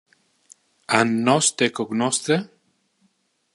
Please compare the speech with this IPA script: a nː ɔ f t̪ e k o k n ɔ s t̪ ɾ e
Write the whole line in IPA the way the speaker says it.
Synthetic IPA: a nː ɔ s t̪ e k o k n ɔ s t̪ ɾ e